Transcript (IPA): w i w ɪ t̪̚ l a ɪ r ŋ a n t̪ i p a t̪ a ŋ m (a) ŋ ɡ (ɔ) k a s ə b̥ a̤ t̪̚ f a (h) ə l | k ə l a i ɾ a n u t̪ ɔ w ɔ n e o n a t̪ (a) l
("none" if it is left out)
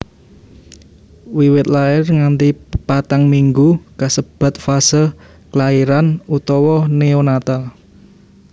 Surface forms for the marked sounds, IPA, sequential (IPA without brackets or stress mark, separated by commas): i, u, s, a